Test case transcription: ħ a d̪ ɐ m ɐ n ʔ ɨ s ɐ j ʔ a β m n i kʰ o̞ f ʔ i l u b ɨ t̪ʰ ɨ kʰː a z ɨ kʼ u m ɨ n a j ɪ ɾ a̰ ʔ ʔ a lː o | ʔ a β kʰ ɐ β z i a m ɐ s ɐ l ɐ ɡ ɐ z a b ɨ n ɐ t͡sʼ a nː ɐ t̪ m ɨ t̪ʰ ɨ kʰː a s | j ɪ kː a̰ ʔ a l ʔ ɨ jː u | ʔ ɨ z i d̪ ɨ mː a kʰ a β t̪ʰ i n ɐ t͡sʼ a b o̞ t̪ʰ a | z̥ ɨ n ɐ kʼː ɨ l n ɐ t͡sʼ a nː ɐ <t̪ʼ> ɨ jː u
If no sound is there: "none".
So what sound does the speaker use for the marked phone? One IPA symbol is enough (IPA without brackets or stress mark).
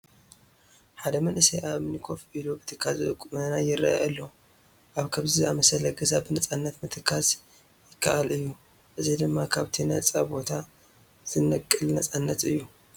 t̪